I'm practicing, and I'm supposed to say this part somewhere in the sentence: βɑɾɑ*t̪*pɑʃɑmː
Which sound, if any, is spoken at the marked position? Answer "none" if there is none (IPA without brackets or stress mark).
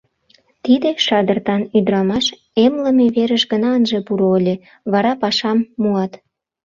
none